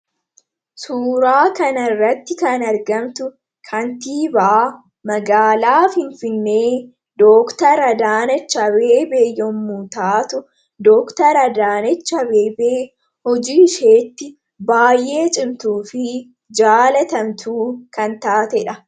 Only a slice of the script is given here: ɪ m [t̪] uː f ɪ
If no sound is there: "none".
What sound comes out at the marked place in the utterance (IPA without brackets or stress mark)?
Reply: t̪